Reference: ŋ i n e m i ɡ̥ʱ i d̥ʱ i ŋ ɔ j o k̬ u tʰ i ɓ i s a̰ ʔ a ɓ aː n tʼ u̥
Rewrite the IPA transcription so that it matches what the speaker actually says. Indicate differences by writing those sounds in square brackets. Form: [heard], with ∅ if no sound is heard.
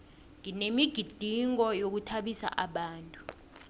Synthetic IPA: ŋ i n e m i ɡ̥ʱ i d̥ʱ i ŋ ɔ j o k̬ u tʰ [a] ɓ i s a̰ ʔ a ɓ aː n tʼ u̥